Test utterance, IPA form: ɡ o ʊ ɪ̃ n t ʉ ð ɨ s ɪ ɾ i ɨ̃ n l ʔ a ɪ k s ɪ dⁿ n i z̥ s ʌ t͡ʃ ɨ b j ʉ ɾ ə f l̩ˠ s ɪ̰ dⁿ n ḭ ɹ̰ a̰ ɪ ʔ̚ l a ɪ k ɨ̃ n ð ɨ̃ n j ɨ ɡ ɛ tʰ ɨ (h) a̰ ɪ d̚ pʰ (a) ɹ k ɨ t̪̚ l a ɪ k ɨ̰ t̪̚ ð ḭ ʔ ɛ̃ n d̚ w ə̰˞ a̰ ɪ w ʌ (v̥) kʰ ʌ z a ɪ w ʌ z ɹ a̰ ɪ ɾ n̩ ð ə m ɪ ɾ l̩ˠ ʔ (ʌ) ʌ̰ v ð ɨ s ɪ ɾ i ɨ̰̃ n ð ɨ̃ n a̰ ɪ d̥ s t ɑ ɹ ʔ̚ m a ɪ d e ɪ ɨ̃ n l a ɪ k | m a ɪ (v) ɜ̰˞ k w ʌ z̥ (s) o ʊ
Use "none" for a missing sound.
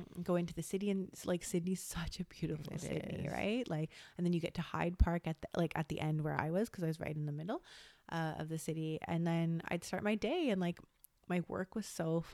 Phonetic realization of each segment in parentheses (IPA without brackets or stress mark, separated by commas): h, ɑ, z̥, ʌ, w, s